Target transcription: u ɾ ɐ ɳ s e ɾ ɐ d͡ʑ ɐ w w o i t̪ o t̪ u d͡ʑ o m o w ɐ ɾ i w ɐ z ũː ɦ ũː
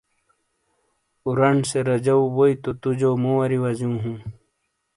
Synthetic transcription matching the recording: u ɾ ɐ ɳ s e ɾ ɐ d͡ʑ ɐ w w o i t̪ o t̪ u d͡ʑ o m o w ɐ ɾ i w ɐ z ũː ɦ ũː